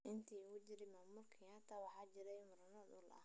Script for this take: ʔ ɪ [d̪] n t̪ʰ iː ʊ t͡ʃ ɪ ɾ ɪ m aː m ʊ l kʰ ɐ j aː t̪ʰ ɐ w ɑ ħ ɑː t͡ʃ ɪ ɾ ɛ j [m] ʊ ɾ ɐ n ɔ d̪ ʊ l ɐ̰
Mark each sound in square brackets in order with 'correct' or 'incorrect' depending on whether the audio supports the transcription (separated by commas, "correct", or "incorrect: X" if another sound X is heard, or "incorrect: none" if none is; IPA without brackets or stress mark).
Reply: incorrect: none, correct